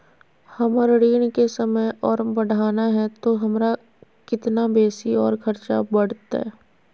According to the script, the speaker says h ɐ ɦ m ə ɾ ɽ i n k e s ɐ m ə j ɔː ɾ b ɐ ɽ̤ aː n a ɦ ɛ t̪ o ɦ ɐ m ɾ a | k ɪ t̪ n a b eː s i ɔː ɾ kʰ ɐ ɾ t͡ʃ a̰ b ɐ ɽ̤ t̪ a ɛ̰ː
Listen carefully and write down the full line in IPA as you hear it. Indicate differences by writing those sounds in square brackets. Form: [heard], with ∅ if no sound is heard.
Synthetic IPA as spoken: h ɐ [∅] m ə ɾ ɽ [iː] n k e s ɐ m ə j ɔː ɾ b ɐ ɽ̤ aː n a ɦ ɛ t̪ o ɦ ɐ m ɾ a | k ɪ t̪ n a b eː s i ɔː ɾ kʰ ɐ ɾ t͡ʃ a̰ b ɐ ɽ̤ t̪ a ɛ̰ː